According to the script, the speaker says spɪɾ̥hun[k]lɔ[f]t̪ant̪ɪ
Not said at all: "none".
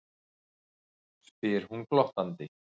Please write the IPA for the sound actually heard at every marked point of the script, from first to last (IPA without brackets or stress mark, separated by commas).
k, h